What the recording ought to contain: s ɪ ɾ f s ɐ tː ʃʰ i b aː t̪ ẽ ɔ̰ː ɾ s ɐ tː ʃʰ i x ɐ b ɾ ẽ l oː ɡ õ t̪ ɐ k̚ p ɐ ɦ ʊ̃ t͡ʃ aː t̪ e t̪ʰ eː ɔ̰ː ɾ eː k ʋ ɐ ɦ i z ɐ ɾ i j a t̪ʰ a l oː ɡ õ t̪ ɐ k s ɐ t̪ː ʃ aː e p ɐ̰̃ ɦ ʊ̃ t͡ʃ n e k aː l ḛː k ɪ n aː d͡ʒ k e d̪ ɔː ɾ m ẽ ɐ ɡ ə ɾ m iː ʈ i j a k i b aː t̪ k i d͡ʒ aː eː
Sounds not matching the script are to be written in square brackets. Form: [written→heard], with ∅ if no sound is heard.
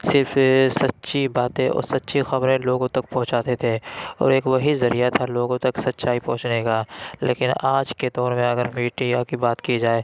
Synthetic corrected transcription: s ɪ ɾ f s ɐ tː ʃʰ i b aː t̪ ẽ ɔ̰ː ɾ s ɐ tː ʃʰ i x ɐ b ɾ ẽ l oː ɡ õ t̪ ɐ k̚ p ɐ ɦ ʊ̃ t͡ʃ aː t̪ e t̪ʰ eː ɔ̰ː ɾ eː k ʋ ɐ ɦ i z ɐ ɾ i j a t̪ʰ a l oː ɡ õ t̪ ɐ k s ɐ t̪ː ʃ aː [e→i] p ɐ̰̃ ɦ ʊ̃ t͡ʃ n e k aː l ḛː k ɪ n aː d͡ʒ k e d̪ ɔː ɾ m ẽ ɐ ɡ ə ɾ m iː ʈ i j a k i b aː t̪ k i d͡ʒ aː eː